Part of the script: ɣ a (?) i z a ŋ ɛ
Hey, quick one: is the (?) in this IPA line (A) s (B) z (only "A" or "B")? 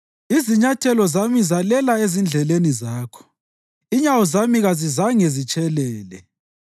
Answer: B